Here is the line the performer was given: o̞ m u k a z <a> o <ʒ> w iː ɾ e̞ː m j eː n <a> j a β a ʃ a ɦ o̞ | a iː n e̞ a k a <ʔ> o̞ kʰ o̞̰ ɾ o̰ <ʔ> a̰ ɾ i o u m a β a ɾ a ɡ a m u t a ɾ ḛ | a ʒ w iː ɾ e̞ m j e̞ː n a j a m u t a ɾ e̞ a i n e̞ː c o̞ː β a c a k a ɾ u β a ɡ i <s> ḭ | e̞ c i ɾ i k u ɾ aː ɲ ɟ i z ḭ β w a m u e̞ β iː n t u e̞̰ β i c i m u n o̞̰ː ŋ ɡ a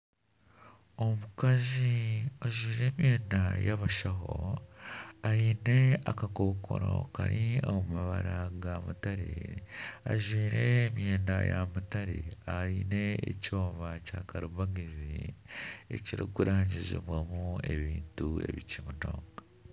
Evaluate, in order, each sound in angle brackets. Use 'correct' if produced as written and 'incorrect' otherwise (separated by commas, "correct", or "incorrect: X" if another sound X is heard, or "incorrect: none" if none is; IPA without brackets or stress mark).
incorrect: i, correct, correct, incorrect: k, incorrect: k, incorrect: z